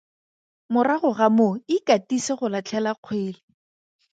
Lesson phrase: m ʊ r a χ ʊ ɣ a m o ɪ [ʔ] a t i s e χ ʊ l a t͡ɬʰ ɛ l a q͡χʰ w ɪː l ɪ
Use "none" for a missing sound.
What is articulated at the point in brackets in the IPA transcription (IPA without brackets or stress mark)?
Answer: k